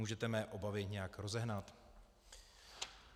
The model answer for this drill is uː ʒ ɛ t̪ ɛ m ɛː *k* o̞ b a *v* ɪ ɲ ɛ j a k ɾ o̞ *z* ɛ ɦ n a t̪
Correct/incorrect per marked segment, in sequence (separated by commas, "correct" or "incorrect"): incorrect, correct, correct